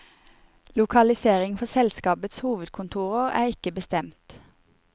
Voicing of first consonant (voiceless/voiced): voiced